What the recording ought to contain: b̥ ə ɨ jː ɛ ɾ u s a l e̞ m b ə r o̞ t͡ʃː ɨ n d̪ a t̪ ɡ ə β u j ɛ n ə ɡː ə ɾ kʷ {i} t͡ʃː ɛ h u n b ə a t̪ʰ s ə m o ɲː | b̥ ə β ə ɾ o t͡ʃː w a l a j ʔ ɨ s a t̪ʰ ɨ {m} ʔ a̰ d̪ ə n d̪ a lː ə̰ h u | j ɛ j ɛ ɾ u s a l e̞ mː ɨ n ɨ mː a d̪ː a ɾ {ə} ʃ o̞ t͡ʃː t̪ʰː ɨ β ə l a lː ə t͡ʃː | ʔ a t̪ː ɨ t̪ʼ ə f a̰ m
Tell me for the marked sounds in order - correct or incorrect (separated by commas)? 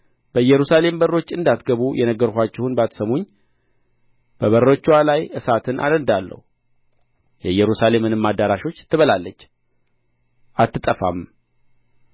incorrect, incorrect, incorrect